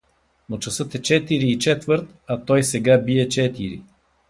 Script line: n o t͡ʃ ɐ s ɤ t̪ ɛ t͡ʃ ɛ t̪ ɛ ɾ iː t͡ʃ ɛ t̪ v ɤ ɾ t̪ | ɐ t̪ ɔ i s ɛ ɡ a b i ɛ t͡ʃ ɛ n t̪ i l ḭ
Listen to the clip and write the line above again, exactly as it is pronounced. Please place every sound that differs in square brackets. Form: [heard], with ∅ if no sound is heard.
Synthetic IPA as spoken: n o t͡ʃ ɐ s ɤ t̪ ɛ t͡ʃ ɛ t̪ [i] ɾ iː t͡ʃ ɛ t̪ v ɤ ɾ t̪ | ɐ t̪ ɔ [j] s ɛ ɡ a b i ɛ t͡ʃ ɛ [∅] t̪ i [ɾ] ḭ